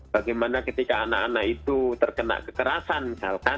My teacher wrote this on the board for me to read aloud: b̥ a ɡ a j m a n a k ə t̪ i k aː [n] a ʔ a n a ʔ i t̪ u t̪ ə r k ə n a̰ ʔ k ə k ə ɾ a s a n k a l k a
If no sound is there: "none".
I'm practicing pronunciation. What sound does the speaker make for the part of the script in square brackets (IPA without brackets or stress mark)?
n